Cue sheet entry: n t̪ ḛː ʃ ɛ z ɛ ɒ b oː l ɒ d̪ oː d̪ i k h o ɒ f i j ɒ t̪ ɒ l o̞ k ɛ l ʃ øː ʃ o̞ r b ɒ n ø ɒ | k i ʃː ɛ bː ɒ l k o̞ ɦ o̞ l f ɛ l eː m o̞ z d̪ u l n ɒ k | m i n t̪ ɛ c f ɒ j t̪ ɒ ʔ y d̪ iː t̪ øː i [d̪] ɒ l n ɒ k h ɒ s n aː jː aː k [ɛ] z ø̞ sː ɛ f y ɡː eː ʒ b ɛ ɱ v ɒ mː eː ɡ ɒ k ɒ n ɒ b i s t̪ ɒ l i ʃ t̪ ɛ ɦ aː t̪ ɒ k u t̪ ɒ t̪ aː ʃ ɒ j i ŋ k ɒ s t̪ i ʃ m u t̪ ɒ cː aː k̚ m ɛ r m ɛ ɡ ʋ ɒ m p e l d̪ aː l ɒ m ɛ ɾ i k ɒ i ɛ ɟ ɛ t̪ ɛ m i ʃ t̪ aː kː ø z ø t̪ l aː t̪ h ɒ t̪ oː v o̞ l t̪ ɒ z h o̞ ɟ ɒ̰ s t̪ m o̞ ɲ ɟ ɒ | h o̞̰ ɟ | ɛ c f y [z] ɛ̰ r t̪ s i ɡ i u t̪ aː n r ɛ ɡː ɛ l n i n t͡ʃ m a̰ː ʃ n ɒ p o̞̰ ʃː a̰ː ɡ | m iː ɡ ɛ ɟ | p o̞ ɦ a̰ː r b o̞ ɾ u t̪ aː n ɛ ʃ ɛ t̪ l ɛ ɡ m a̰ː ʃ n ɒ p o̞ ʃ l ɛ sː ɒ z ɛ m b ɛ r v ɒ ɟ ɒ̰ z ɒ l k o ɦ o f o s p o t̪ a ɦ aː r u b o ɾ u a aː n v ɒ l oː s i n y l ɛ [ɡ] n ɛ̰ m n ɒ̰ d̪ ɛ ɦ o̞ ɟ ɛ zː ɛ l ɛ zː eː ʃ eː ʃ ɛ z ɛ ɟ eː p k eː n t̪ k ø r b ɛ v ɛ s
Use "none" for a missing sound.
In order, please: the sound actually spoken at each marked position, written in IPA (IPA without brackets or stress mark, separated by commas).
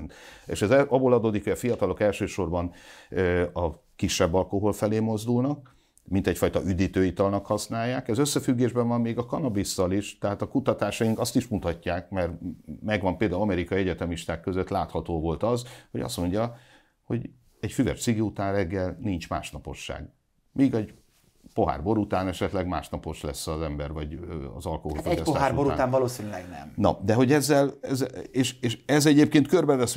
t̪, ɛ, v, ɡ